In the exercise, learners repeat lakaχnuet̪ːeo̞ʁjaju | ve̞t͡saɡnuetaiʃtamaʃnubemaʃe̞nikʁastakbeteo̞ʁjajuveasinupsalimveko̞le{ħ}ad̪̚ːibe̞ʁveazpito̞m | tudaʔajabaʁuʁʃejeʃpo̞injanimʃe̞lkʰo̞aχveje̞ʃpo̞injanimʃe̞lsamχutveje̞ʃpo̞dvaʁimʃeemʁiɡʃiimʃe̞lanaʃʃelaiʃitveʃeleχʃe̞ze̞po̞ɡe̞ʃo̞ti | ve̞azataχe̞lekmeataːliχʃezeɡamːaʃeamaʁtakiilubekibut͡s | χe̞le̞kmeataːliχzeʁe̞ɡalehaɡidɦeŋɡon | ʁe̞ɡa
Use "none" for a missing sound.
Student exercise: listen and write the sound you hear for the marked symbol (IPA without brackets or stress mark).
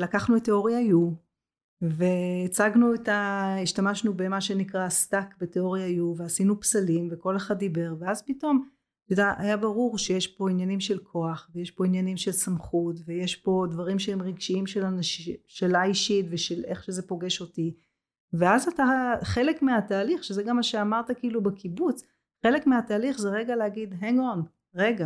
χ